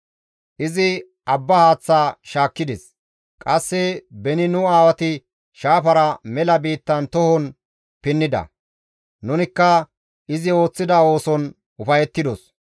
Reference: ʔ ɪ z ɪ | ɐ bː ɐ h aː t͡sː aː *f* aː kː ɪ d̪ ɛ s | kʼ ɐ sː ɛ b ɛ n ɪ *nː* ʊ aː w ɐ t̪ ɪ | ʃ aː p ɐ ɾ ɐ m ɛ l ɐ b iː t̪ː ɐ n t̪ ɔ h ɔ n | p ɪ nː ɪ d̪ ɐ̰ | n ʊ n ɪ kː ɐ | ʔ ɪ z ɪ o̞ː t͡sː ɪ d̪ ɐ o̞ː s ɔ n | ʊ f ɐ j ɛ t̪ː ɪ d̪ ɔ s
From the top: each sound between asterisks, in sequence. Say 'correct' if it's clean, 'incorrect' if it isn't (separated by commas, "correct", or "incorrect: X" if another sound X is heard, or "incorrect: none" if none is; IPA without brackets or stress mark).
incorrect: ʃ, incorrect: n